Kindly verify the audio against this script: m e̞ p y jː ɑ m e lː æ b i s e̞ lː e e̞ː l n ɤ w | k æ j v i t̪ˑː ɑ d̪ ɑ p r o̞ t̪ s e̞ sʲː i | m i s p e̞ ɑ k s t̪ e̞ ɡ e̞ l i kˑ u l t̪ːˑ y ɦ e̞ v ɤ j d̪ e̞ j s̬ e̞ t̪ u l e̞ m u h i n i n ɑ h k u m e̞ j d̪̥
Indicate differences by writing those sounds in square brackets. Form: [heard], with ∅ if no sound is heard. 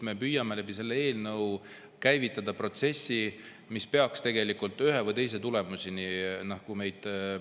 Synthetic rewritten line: m e̞ p y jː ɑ m e [l] æ b i s e̞ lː e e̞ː l n ɤ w | k æ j v i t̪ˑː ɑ d̪ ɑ p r o̞ t̪ s e̞ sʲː i | m i s p e̞ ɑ k s t̪ e̞ ɡ e̞ l i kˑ u l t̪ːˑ y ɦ e̞ v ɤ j [t̪] e̞ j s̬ e̞ t̪ u l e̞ m u [s] i n i n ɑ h k u m e̞ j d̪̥